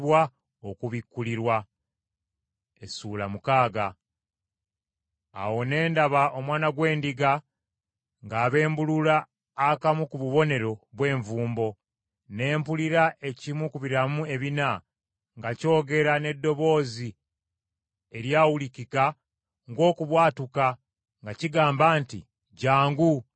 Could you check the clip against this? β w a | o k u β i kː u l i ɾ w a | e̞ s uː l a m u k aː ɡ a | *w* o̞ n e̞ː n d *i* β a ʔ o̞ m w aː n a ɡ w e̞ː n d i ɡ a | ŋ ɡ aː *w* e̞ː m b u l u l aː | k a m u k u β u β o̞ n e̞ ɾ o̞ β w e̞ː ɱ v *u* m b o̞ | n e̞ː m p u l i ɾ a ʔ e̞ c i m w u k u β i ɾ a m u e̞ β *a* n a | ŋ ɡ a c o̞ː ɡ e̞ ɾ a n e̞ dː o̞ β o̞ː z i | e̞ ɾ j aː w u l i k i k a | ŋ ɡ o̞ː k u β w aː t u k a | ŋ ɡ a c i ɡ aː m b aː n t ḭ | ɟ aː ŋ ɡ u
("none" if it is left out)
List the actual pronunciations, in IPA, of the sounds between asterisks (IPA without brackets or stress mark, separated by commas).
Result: w, a, β, uː, i